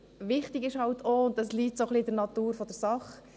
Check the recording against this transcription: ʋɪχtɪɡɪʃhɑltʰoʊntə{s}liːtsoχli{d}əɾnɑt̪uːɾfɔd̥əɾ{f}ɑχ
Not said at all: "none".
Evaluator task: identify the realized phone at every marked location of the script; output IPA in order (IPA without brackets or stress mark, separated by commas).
s, d, s